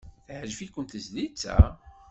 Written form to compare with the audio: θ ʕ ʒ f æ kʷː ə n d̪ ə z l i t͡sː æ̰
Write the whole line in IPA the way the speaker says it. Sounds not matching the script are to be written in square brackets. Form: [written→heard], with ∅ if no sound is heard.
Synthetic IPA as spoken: θ ʕ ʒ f [æ→i] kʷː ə n [d̪→t̪] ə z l i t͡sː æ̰

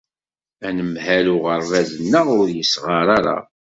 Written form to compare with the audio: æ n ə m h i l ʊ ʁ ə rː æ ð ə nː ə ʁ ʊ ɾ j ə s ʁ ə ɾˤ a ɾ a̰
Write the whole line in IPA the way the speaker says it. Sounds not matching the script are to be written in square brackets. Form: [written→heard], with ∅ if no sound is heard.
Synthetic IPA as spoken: æ n ə m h [i→æ] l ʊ ʁ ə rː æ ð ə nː ə ʁ ʊ ɾ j ə s ʁ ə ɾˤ a ɾ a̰

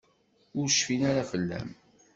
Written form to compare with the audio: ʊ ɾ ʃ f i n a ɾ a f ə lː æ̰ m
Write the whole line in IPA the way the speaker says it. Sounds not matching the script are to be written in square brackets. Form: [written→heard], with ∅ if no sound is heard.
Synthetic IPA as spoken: ʊ ɾ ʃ f i n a ɾ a f ə lː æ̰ m

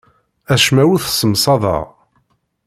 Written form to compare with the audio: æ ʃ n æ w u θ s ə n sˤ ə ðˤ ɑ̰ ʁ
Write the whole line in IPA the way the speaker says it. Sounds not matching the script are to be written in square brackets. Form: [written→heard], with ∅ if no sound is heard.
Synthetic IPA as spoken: æ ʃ [n→m] æ w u θ s ə [n→m] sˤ [ə→ɑ] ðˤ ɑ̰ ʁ

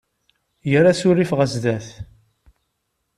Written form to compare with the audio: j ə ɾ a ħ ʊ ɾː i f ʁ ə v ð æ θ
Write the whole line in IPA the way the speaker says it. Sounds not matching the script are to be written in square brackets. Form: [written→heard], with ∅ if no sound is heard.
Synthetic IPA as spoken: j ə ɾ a [ħ→s] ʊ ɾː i f ʁ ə [v→z] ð æ θ

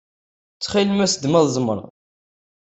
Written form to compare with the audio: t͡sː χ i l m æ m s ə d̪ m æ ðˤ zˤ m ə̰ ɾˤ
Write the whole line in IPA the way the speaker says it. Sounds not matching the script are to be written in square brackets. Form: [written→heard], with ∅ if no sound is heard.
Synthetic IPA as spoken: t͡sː χ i l m æ [m→∅] s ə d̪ m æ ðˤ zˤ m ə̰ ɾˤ

